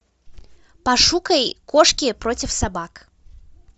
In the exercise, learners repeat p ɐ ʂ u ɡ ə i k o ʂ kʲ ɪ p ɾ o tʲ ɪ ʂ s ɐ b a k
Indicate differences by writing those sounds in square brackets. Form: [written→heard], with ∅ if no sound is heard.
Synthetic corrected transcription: p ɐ ʂ u [ɡ→k] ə [i→j] k o ʂ kʲ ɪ p ɾ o tʲ ɪ [ʂ→f] s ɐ b a k

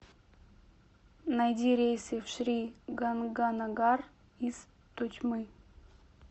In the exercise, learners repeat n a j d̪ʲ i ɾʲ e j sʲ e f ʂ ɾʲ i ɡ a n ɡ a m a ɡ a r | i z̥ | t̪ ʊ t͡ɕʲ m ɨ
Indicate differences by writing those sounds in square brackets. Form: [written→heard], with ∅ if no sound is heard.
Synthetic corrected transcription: n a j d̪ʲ i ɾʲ e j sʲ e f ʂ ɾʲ i ɡ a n ɡ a [m→n] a ɡ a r | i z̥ | t̪ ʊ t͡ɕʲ m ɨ

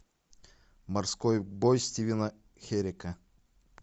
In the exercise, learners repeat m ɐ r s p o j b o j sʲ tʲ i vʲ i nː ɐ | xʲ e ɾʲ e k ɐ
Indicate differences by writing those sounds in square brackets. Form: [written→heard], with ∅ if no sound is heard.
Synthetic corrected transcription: m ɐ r s [p→k] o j b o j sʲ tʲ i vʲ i [nː→n] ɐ | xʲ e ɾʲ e k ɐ

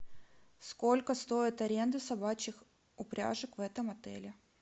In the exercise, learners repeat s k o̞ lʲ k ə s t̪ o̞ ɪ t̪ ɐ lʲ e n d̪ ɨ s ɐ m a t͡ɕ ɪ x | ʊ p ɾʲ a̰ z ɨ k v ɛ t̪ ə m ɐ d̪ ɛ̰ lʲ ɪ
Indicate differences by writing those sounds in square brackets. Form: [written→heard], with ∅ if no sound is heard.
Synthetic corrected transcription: s k o̞ lʲ k ə s t̪ o̞ ɪ t̪ ɐ [lʲ→ɾʲ] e n d̪ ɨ s ɐ [m→b] a t͡ɕ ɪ x | ʊ p ɾʲ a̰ [z→ʐ] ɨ k v ɛ t̪ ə m ɐ [d̪→t̪] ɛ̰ lʲ ɪ

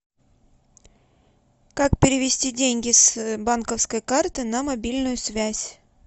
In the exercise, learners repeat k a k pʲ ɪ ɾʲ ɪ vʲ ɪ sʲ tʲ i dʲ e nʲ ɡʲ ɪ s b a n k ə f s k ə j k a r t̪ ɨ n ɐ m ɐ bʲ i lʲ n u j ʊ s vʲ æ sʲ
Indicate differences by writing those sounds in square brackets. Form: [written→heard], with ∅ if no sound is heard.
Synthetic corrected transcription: k a k pʲ ɪ ɾʲ ɪ vʲ ɪ sʲ tʲ i dʲ e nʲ ɡʲ ɪ s b a n k ə f s k ə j k a r t̪ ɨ n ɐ m ɐ bʲ i lʲ n [u→ʊ] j ʊ s vʲ æ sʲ

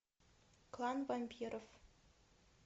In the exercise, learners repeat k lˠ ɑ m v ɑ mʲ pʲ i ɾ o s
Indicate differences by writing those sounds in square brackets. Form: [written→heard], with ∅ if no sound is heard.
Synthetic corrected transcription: k lˠ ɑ [m→n] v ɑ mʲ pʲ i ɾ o [s→f]

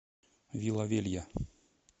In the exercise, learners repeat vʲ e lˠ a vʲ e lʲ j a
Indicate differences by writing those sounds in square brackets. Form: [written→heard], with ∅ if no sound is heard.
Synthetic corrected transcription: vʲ [e→i] lˠ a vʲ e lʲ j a

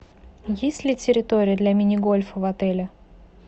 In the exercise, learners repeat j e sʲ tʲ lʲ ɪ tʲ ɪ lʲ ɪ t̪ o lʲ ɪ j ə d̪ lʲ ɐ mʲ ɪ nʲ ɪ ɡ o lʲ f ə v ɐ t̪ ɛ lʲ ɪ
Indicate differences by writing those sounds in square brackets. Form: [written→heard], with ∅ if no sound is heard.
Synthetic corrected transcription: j e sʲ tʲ lʲ ɪ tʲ ɪ [lʲ→ɾʲ] ɪ t̪ o [lʲ→ɾʲ] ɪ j ə d̪ lʲ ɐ mʲ ɪ nʲ ɪ ɡ o lʲ f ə v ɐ t̪ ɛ lʲ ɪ

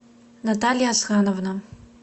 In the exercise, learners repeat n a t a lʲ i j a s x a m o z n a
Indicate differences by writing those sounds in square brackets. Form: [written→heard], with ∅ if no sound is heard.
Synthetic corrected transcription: n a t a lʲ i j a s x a [m→n] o [z→v] n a

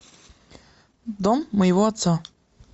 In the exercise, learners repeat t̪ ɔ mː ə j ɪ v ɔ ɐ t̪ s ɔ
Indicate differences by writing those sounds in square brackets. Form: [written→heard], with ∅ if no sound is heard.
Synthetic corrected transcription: [t̪→d̪] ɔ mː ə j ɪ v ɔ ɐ t̪ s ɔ

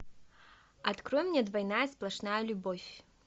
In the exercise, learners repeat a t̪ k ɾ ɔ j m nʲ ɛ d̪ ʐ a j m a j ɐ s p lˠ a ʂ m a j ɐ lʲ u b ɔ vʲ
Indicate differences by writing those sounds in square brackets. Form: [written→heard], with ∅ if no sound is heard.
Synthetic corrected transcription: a t̪ k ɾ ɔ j m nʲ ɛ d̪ [ʐ→v] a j [m→n] a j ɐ s p lˠ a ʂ [m→n] a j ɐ lʲ u b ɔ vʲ

